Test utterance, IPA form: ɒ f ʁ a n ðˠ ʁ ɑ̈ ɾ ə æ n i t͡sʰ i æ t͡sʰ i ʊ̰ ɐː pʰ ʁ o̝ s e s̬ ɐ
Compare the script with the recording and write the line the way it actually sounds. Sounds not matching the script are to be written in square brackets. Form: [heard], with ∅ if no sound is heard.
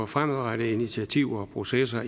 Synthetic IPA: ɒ f ʁ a [m] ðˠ ʁ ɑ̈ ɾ ə [i] n i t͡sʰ i æ t͡sʰ i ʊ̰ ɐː pʰ ʁ o̝ s e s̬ ɐ

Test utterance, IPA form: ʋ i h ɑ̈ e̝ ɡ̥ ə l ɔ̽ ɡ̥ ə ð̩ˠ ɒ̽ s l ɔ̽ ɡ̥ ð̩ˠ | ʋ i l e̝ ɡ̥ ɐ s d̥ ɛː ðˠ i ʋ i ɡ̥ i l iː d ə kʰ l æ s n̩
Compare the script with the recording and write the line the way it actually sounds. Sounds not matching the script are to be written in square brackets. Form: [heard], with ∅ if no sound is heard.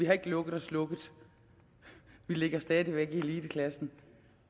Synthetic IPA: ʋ i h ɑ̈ e̝ ɡ̥ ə l ɔ̽ ɡ̥ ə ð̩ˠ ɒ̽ s l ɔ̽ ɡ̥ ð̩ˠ | ʋ i l e̝ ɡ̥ ɐ s d̥ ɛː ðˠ i ʋ [e] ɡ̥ i l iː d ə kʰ l æ s n̩

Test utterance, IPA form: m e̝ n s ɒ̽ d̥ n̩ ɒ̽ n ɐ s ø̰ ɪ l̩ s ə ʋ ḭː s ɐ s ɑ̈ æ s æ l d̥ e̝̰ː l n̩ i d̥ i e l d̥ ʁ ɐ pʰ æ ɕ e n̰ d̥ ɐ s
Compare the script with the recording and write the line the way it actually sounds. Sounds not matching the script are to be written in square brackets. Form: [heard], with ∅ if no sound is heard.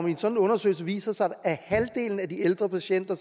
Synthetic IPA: m e̝ n s ɒ̽ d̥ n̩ [ɔ̽] n ɐ s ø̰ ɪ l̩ s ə ʋ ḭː s ɐ s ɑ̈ æ [h] æ l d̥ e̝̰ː l n̩ [æ] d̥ i e l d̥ ʁ ɐ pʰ æ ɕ e n̰ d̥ ɐ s

